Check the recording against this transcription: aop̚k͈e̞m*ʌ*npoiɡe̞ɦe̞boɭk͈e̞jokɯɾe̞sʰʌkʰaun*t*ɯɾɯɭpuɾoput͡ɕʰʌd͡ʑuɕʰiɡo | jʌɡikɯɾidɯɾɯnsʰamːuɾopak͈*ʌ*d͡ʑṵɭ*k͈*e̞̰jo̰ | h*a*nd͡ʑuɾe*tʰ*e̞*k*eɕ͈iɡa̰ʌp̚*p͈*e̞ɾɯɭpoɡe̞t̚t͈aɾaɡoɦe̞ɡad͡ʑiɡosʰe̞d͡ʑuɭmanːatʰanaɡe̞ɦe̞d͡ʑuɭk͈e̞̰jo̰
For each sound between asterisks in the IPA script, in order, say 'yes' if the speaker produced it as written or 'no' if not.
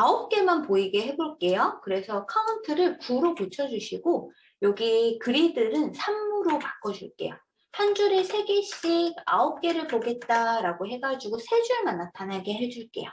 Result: no, no, yes, yes, yes, no, no, no

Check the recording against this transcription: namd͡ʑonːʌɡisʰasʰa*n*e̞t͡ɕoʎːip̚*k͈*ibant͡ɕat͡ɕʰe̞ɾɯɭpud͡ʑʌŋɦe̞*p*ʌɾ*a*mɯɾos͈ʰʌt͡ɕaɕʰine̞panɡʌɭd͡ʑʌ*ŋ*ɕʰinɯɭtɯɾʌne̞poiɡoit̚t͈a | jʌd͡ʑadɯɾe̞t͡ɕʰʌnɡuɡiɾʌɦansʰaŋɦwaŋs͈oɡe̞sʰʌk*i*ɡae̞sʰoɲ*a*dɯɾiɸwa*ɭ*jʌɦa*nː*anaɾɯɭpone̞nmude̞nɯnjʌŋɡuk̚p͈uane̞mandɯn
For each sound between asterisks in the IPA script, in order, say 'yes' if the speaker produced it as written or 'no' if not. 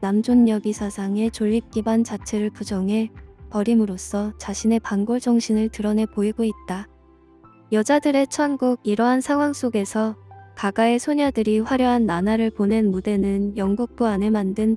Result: no, yes, yes, no, yes, no, yes, no, yes

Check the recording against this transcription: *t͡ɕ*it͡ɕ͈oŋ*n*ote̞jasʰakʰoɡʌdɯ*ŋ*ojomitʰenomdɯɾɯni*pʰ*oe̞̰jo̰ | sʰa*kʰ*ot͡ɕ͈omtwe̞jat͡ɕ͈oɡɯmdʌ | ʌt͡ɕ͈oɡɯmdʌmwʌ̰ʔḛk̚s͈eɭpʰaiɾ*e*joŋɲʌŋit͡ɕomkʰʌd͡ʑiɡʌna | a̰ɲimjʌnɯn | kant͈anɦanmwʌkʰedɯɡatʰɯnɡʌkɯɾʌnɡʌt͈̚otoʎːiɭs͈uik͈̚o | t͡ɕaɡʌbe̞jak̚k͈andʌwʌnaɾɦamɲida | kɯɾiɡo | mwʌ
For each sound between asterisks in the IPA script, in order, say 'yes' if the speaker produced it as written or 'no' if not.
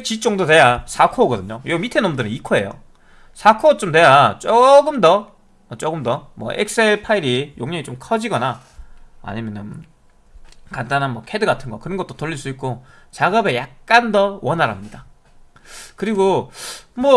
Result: yes, no, no, no, yes, no

